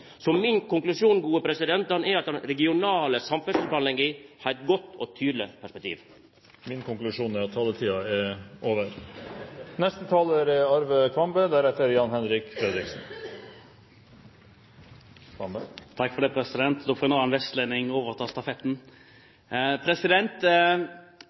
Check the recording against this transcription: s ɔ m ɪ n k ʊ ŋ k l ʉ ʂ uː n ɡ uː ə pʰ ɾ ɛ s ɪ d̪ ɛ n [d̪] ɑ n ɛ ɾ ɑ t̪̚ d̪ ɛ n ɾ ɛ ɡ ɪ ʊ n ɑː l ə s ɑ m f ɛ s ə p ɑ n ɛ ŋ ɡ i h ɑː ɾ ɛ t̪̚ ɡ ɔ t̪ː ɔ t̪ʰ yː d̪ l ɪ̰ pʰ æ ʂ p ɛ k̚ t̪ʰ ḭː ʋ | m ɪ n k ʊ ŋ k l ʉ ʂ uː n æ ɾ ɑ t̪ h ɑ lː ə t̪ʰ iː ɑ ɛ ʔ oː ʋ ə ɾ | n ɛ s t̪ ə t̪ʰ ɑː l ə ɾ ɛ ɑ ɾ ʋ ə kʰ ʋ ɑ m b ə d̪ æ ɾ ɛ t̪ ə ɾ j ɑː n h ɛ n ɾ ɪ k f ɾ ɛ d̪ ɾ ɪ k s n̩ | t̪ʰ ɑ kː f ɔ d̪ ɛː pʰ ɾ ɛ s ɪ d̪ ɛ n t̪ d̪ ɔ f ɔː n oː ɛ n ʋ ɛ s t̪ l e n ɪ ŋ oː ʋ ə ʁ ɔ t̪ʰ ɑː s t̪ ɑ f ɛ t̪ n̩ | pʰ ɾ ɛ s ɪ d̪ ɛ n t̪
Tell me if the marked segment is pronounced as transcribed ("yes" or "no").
no